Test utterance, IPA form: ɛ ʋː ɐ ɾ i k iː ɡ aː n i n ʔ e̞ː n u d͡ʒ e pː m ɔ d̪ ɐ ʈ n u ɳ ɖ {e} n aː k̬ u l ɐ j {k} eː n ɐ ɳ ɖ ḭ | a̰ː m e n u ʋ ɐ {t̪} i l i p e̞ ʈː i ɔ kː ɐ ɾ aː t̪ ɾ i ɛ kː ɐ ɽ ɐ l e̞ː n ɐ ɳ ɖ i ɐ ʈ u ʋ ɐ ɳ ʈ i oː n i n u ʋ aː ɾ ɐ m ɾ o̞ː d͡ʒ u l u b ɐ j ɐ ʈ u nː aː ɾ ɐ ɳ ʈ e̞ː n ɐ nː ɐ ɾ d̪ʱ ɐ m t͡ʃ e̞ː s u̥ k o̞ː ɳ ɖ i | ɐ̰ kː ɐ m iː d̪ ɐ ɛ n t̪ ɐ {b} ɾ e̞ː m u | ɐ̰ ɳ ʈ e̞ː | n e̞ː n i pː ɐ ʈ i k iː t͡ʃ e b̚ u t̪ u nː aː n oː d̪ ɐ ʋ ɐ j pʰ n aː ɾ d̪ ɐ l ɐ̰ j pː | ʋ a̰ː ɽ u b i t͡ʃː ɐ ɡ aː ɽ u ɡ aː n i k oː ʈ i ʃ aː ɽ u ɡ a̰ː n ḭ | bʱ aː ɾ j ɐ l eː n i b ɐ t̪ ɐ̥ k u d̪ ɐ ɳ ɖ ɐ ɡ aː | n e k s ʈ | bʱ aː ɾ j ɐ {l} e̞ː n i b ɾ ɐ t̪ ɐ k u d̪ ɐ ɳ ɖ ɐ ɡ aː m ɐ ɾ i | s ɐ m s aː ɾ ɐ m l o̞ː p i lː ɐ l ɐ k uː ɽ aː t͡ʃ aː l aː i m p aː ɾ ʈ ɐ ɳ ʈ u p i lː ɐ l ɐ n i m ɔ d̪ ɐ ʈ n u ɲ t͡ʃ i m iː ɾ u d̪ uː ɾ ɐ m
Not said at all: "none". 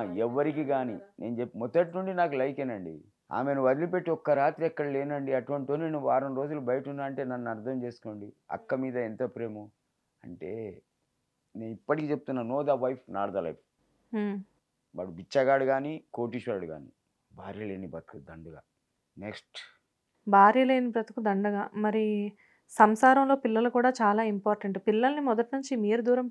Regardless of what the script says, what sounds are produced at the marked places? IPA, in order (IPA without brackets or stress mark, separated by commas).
i, k, d̪, p, l